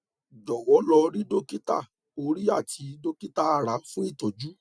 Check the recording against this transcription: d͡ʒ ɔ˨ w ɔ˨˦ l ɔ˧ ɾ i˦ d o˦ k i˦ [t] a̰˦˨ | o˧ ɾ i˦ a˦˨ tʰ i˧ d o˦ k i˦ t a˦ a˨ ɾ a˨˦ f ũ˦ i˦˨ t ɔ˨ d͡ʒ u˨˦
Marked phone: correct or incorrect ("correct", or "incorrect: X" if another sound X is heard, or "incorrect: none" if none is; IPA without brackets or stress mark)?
correct